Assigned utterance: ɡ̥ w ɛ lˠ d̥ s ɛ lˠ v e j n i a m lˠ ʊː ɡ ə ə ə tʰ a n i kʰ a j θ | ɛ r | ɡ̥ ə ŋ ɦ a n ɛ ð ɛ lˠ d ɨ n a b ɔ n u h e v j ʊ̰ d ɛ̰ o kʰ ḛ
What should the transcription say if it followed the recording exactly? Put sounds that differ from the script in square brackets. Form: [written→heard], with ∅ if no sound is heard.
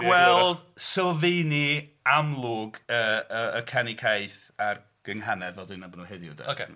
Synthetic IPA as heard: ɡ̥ w ɛ lˠ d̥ s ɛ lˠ v e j n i a m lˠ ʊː ɡ ə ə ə [tʰ→kʰ] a n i kʰ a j θ | [ɛ→a] r | ɡ̥ ə ŋ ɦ a n ɛ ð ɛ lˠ d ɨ n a b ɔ n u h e [v→ð] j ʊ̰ d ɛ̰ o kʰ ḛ